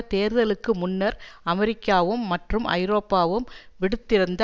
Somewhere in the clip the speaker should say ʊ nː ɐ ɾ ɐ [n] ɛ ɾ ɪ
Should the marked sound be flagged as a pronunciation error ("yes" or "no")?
yes